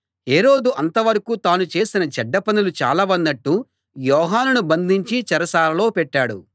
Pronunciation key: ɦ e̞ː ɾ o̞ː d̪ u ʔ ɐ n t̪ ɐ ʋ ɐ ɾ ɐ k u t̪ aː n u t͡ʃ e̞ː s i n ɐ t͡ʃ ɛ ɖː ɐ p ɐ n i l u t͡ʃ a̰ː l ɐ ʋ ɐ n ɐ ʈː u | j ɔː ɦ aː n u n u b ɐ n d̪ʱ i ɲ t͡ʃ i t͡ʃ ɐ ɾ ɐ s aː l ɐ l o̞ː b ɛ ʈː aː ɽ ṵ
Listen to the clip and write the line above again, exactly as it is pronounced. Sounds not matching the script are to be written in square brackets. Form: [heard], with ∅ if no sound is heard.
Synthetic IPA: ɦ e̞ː ɾ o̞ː d̪ u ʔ ɐ n t̪ ɐ ʋ ɐ ɾ ɐ k u t̪ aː n u t͡ʃ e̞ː s i n ɐ t͡ʃ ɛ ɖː ɐ p ɐ n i l u t͡ʃ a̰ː l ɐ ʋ ɐ [nː] ɐ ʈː u | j ɔː ɦ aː n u n u b ɐ n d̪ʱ i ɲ t͡ʃ i t͡ʃ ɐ ɾ ɐ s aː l ɐ l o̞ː [p] ɛ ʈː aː ɽ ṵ